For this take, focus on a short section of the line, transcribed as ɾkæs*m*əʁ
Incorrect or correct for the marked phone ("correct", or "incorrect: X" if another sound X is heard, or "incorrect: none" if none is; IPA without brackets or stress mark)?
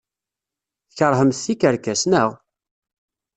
incorrect: n